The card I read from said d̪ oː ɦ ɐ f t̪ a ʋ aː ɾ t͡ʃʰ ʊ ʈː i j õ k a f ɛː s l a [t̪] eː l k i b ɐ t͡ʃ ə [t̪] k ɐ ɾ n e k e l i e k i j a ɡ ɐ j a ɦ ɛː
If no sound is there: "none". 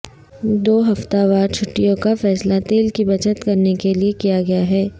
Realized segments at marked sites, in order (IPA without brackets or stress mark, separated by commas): t̪, t̪